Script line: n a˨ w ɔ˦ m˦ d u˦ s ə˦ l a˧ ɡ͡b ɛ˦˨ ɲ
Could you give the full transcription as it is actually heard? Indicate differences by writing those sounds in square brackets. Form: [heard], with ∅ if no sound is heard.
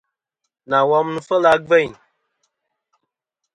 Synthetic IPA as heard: n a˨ w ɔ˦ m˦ [n] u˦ [f] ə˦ l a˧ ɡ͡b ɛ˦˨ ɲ